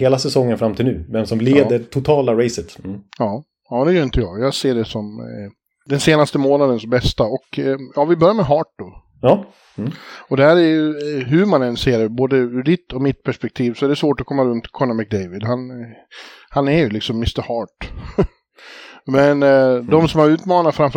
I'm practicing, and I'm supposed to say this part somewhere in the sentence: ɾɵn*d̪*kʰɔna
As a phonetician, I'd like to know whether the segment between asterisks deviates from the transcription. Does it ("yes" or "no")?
yes